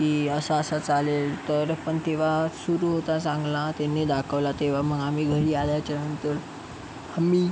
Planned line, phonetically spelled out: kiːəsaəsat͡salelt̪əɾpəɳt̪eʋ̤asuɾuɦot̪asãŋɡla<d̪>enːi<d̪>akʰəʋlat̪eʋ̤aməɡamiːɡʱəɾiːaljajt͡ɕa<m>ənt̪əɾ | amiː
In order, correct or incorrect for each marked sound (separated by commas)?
incorrect, correct, incorrect